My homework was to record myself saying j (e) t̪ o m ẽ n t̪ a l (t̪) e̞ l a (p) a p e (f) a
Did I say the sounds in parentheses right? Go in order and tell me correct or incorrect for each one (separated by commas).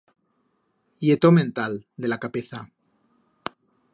correct, incorrect, incorrect, incorrect